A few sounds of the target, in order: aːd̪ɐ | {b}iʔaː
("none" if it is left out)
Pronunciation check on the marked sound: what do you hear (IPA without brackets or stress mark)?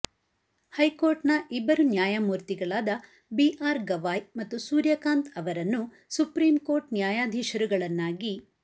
b